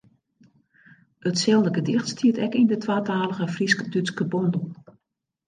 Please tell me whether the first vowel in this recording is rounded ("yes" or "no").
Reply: no